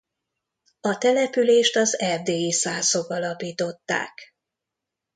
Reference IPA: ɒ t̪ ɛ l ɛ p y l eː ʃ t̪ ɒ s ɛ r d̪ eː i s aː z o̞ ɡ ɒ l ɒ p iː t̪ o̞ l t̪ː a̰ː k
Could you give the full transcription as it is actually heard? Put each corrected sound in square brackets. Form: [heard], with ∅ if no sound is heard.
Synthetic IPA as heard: ɒ t̪ ɛ l ɛ p y l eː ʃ t̪ ɒ [z] ɛ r d̪ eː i s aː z o̞ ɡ ɒ l ɒ p iː t̪ o̞ [∅] t̪ː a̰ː k

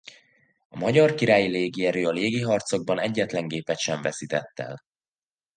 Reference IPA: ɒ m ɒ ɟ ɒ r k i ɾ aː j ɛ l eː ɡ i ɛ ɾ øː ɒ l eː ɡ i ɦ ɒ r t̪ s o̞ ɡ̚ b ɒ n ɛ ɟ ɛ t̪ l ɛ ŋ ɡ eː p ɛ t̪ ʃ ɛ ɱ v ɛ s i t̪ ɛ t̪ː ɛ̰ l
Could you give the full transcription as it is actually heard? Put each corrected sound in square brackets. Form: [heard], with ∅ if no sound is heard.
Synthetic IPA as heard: ɒ m ɒ ɟ ɒ r k i ɾ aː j [i] l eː ɡ i ɛ ɾ øː ɒ l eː ɡ i ɦ ɒ r t̪ s o̞ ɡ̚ b ɒ n ɛ [ɟː] ɛ t̪ l ɛ ŋ ɡ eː p ɛ t̪ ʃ ɛ ɱ v ɛ s i t̪ ɛ t̪ː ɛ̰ l

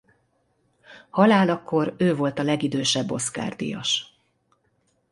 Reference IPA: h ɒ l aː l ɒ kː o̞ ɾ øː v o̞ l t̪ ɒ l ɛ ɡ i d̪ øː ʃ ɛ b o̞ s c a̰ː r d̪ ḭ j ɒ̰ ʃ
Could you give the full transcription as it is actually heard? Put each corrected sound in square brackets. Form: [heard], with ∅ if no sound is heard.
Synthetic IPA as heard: h ɒ l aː l ɒ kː o̞ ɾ øː v o̞ l t̪ ɒ l ɛ ɡ i d̪ øː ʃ ɛ [bː] o̞ s [k] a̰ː r d̪ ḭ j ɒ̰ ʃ

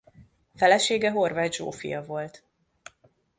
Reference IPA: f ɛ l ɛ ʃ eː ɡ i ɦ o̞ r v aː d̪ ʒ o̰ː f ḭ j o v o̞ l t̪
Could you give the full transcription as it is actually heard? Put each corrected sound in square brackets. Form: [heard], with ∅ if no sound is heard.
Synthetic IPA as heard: f ɛ l ɛ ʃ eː ɡ [ɛ] ɦ o̞ r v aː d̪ ʒ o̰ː f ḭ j [ɒ] v o̞ l t̪

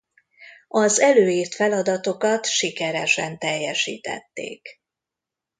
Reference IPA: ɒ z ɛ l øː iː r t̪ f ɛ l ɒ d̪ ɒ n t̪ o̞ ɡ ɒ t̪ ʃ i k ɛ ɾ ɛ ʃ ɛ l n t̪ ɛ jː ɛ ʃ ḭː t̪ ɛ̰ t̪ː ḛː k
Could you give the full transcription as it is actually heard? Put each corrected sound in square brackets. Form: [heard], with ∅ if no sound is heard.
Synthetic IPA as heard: ɒ z ɛ l øː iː r t̪ f ɛ l ɒ d̪ ɒ [∅] t̪ o̞ [k] ɒ t̪ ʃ i k ɛ ɾ ɛ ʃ ɛ [∅] n t̪ ɛ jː ɛ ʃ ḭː t̪ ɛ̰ t̪ː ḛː k

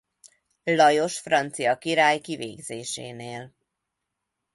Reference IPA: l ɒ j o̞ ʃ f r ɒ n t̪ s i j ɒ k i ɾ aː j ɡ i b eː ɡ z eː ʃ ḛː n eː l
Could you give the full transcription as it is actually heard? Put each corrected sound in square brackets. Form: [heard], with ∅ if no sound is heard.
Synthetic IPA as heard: l ɒ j o̞ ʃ f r ɒ n t̪ s i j ɒ k i ɾ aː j [k] i [v] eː ɡ z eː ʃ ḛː n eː l

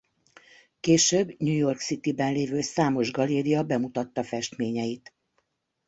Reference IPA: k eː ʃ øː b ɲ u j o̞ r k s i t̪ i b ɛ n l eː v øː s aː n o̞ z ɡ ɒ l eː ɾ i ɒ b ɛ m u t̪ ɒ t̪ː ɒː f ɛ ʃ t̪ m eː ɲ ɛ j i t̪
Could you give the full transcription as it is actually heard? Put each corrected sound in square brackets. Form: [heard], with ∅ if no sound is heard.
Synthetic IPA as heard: k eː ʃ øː b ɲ u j o̞ r k s i t̪ i b ɛ n l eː v øː s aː [m] o̞ [ʒ] ɡ ɒ l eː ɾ i ɒ b ɛ m u t̪ ɒ t̪ː [ɒ] f ɛ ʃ t̪ m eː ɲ ɛ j i t̪

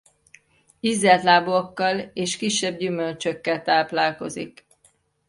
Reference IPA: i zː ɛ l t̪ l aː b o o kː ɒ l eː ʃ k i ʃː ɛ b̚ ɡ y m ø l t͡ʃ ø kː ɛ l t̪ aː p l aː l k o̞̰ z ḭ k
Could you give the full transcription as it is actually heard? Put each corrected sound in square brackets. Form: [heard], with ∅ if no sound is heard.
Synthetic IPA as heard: i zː ɛ l t̪ l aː b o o kː ɒ l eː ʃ k i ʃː ɛ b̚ [ɟ] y m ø l t͡ʃ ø kː ɛ l t̪ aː p l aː l k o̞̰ z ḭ k

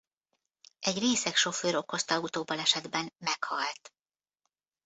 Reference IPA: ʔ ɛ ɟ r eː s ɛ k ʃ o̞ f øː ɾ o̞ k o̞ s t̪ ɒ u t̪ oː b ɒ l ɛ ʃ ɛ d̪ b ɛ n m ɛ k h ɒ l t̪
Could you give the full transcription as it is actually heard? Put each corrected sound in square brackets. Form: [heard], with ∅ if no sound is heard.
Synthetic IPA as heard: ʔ ɛ ɟ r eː s ɛ k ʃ o̞ f øː ɾ o̞ k o̞ s t̪ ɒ u t̪ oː b ɒ l ɛ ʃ ɛ d̪ b ɛ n m ɛ k h ɒ l t̪

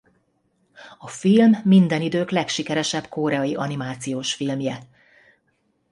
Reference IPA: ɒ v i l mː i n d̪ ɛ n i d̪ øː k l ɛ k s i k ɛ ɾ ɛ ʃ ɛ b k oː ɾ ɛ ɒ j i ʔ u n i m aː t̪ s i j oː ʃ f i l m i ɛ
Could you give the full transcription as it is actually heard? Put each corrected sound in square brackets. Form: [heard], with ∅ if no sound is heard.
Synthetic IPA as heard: ɒ [f] i l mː i n d̪ ɛ n i d̪ øː k l ɛ k [ʃ] i k ɛ ɾ ɛ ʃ ɛ b k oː ɾ ɛ ɒ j i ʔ [ɒ] n i m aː t̪ s i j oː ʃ f i l m [j] ɛ

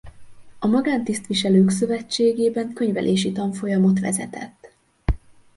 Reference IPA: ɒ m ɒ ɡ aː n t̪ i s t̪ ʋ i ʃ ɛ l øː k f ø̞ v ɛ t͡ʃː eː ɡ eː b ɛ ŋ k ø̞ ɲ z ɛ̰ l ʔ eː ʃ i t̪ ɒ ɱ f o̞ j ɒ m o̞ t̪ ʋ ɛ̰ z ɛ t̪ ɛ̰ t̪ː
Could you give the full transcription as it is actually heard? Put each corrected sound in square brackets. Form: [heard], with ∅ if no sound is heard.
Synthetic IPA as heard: ɒ m ɒ ɡ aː n t̪ i s t̪ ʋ i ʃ ɛ l øː k [s] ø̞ v ɛ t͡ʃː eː ɡ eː b ɛ ŋ k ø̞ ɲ [v] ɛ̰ l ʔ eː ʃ i t̪ ɒ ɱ f o̞ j ɒ m o̞ t̪ ʋ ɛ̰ z ɛ t̪ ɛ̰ t̪ː

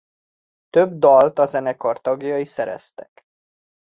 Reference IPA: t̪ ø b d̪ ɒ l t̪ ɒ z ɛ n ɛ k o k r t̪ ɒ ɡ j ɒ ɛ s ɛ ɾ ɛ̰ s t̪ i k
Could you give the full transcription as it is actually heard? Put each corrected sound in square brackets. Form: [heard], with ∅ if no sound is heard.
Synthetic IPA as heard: t̪ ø b d̪ ɒ l t̪ ɒ z ɛ n ɛ k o [∅] r t̪ ɒ ɡ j ɒ [i] s ɛ ɾ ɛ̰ s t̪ [ɛ] k

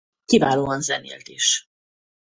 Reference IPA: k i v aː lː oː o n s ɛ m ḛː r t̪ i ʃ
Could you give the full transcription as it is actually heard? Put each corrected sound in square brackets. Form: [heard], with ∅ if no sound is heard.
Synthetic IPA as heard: k i v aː [l] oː [ɒ] n [z] ɛ [n] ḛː [l] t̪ i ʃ

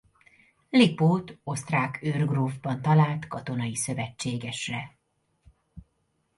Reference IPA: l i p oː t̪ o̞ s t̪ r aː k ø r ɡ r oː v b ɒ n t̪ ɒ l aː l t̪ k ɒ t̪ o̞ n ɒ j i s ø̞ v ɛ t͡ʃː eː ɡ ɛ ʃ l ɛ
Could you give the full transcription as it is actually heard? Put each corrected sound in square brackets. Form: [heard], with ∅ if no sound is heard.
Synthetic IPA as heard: l i p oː t̪ o̞ s t̪ r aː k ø r ɡ r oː v b ɒ n t̪ ɒ l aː l t̪ k ɒ t̪ o̞ n ɒ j i s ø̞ v ɛ t͡ʃː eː ɡ ɛ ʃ [r] ɛ

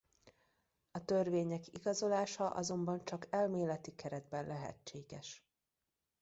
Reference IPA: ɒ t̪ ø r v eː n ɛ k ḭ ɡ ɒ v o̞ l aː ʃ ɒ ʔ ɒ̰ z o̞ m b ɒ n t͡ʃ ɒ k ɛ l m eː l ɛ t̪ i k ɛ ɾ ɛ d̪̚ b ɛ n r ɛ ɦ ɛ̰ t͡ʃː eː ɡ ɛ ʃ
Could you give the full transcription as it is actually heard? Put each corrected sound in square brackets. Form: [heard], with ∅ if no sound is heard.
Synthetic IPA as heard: ɒ t̪ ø r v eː [ɲ] ɛ k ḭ ɡ ɒ [z] o̞ l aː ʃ ɒ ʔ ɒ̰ z o̞ m b ɒ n t͡ʃ ɒ k ɛ l m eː l ɛ t̪ i k ɛ ɾ ɛ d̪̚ b ɛ n [l] ɛ ɦ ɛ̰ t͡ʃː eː ɡ ɛ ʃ

